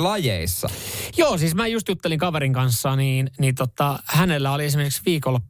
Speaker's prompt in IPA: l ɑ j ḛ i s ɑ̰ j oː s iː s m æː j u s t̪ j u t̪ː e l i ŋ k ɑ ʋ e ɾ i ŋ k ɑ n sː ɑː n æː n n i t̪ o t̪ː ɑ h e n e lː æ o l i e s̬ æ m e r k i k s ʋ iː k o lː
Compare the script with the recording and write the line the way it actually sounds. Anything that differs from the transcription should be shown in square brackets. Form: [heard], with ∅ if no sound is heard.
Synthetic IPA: l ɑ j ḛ i [sː] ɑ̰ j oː s iː s m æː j u s t̪ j u t̪ː e l i ŋ k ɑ ʋ e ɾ i ŋ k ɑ n sː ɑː n [iː] n n i t̪ o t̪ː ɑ h [æ] n e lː æ o l i e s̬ [i] m e r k i k s ʋ iː k o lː